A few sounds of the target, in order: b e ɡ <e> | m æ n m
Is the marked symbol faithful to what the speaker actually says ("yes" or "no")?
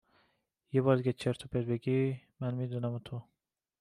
no